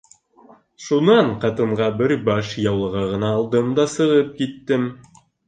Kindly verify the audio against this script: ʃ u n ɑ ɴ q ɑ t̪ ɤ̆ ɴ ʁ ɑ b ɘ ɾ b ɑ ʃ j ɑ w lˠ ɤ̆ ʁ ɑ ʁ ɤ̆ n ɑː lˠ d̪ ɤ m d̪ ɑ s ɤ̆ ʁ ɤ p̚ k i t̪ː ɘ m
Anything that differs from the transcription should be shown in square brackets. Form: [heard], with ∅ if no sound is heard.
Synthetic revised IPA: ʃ u n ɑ ɴ q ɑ t̪ ɤ̆ ɴ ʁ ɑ b ɘ ɾ b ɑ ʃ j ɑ w lˠ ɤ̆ ʁ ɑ ʁ ɤ̆ n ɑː lˠ d̪ ɤ m d̪ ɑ s ɤ̆ ʁ ɤ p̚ k i t̪ː ɘ m